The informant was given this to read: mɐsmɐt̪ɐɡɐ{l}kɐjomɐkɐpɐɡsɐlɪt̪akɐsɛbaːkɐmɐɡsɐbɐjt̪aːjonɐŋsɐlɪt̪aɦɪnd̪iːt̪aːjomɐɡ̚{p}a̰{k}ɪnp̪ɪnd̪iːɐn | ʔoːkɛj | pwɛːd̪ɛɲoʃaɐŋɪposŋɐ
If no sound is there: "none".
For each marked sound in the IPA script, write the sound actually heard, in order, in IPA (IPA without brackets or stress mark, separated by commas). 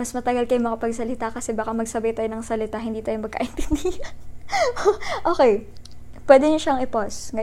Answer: l, k, ʔ